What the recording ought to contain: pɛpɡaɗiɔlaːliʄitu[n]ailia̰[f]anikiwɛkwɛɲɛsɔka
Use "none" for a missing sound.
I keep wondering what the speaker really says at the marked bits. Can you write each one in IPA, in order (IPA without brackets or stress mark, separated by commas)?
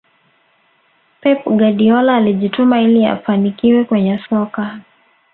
m, f